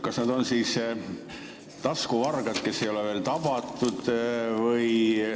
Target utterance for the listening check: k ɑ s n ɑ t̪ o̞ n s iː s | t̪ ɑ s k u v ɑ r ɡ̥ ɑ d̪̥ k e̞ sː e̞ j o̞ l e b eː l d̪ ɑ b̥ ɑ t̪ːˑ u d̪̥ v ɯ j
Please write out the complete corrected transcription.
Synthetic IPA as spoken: k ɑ s n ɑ d̪ o̞ n s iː s | t̪ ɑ s k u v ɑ r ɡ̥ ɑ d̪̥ k e̞ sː e̞ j o̞ l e v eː l t̪ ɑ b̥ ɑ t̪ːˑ u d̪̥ v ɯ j

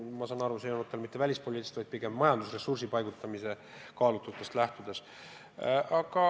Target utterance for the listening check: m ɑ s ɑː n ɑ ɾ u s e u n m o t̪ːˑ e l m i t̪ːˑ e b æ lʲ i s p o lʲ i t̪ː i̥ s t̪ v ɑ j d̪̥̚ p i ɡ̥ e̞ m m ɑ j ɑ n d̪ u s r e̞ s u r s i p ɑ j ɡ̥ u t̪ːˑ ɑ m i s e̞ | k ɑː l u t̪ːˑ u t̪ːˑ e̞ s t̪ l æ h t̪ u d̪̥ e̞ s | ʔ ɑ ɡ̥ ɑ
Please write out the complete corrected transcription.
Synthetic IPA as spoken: m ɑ s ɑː n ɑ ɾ u s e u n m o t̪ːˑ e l m i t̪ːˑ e v æ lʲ i s p o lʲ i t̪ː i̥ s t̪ v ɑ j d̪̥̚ p i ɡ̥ e̞ m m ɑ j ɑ n d̪ u s r e̞ s u r s i p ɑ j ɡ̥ u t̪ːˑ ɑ m i s e̞ | k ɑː l u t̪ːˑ u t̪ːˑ e̞ s t̪ l æ h t̪ u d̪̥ e̞ s | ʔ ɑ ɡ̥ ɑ

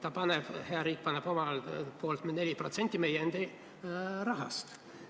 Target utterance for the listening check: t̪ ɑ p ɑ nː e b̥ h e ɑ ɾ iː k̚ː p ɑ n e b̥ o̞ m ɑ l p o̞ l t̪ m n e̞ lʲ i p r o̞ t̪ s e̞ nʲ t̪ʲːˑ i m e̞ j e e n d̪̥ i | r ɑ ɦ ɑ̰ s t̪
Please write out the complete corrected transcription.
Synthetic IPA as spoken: t̪ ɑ p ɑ n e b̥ h e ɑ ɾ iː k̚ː p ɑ n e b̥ o̞ m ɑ l p o̞ l t̪ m n e̞ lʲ i p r o̞ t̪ s e̞ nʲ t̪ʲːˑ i m e̞ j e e n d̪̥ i | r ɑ ɦ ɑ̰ s t̪

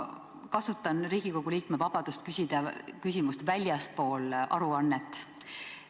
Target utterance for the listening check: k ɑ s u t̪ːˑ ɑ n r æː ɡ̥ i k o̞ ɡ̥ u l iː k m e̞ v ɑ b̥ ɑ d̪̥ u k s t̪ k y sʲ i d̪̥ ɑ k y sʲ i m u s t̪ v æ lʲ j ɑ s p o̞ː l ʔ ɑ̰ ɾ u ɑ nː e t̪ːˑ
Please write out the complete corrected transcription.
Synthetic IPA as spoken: k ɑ s u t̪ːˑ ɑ n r iː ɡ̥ i k o̞ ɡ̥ u l iː k m e̞ v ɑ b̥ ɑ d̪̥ u s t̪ k y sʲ i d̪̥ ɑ k y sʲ i m u s t̪ v æ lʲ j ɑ s p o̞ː l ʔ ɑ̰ ɾ u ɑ nː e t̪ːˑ

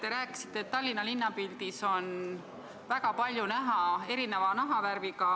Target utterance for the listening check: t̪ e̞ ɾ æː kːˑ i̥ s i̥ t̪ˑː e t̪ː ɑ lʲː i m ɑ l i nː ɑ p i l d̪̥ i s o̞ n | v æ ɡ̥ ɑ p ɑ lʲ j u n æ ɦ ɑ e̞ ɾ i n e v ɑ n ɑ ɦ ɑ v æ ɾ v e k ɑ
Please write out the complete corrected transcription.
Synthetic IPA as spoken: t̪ e̞ ɾ æː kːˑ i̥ s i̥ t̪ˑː e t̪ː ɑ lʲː i n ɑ l i nː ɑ p i l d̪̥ i s o̞ n | v æ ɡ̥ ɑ p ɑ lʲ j u n æ ɦ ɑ e̞ ɾ i n e v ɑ n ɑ ɦ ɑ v æ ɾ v i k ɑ

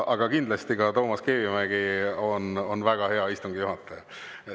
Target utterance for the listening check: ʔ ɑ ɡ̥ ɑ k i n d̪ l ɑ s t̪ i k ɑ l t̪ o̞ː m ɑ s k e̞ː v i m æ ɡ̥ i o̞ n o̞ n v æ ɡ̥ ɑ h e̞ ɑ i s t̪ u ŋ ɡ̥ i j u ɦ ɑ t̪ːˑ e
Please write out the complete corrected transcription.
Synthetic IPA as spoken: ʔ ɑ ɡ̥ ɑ k i n d̪ l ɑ s t̪ i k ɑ t̪ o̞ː m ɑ s k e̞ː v i m æ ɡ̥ i o̞ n o̞ n v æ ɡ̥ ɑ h e̞ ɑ i s t̪ u ŋ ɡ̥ i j u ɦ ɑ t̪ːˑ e

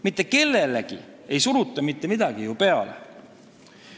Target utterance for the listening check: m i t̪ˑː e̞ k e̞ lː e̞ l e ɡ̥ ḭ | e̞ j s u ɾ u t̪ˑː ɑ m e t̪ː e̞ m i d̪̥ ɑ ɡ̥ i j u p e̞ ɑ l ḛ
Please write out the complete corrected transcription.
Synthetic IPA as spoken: m i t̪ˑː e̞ k e̞ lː e̞ l e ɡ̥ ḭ | e̞ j s u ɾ u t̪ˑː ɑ m i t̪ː e̞ m i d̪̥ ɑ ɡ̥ i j u p e̞ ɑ l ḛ

